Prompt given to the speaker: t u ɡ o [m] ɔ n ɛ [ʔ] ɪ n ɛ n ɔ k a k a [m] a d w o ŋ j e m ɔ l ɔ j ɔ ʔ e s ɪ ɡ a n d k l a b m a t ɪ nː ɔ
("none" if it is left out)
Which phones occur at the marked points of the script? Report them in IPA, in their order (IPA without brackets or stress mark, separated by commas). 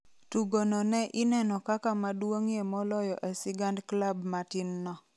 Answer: n, ʔ, m